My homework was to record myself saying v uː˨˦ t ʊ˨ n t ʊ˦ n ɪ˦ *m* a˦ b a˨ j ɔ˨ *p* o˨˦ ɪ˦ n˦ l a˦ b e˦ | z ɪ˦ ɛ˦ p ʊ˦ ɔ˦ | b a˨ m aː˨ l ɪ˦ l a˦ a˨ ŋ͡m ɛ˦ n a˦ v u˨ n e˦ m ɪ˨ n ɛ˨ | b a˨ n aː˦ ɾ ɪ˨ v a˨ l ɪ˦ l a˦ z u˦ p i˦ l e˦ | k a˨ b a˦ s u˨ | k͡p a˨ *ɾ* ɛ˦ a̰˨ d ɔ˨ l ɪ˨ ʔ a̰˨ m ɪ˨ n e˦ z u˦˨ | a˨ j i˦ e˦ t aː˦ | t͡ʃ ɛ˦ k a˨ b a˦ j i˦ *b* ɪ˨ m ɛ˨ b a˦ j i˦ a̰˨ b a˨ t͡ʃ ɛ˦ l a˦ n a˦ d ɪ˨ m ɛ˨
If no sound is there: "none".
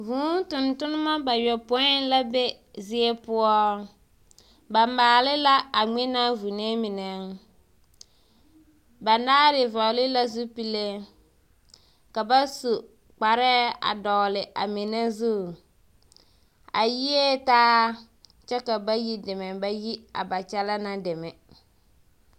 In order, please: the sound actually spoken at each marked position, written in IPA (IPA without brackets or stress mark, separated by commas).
m, p, ɾ, d